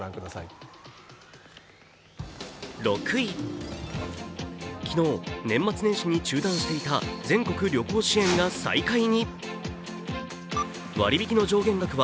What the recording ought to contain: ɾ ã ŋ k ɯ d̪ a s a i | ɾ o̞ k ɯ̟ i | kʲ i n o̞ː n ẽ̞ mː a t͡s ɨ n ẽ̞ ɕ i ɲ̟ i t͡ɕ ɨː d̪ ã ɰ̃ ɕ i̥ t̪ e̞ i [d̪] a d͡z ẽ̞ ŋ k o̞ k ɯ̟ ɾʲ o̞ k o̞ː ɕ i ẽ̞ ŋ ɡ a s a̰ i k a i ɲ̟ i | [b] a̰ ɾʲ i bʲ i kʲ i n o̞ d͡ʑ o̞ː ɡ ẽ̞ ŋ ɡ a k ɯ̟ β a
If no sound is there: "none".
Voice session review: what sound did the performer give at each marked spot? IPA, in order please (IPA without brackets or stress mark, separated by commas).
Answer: t̪, β